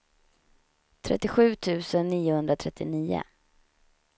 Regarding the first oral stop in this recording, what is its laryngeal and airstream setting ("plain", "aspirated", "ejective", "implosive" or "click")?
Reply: aspirated